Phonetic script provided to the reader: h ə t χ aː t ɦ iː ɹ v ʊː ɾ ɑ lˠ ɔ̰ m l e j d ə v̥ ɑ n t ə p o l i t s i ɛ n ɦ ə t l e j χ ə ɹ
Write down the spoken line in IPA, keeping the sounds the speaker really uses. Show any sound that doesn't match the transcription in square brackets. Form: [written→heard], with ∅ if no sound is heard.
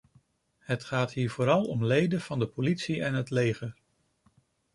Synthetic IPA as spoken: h ə t χ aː t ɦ iː ɹ v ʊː ɾ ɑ lˠ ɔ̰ m l e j d ə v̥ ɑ n [t→d] ə p o l i t s i ɛ n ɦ ə t l e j χ ə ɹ

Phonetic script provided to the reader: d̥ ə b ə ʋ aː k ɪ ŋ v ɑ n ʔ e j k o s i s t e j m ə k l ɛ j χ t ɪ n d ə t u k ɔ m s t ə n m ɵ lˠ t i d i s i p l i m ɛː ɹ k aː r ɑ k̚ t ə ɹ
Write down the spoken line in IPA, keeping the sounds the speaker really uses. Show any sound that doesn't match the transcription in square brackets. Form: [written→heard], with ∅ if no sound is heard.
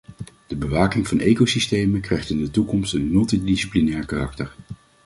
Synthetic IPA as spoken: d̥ ə b ə ʋ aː k ɪ ŋ v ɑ n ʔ e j k o s i s t e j m ə k [l→r] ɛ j χ t ɪ n d ə t u k ɔ m s t ə n m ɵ lˠ t i d i s i p l i [m→n] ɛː ɹ k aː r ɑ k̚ t ə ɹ

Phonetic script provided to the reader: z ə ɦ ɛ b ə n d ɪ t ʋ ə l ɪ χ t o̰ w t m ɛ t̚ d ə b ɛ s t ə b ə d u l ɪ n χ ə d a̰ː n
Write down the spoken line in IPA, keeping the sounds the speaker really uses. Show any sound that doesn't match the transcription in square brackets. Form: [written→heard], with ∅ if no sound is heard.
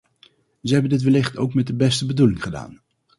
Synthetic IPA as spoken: z ə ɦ ɛ b ə n d ɪ t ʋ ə l ɪ χ t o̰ w [t→k] m ɛ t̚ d ə b ɛ s t ə b ə d u l ɪ [n→ŋ] χ ə d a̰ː n

